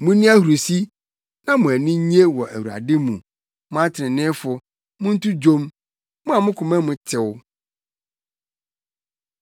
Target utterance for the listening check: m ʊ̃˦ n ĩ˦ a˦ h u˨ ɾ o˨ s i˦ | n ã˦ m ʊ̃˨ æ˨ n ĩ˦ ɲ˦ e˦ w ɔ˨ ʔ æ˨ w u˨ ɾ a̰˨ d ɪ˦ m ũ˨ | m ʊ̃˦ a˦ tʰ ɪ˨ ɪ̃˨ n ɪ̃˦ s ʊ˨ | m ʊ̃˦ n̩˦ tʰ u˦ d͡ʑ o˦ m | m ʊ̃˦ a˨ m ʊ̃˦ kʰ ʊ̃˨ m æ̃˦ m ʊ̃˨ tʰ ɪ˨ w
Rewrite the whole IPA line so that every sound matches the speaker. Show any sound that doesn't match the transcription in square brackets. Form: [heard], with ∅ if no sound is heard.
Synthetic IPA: m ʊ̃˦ n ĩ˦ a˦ h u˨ ɾ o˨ s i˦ | n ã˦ m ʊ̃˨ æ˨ n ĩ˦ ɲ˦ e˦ w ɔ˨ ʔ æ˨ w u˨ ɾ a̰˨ d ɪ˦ m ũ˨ | m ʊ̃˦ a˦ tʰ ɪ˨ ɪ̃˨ n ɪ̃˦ [f] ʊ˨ | m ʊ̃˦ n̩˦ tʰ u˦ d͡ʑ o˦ m | m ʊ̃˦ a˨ m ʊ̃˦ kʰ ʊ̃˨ m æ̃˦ m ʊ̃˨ tʰ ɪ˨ w